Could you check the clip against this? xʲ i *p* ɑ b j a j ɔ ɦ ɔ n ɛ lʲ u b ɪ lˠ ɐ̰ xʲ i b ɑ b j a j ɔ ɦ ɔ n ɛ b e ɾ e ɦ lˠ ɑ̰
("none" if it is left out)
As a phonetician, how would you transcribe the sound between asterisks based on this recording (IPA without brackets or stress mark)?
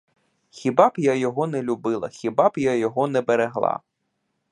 b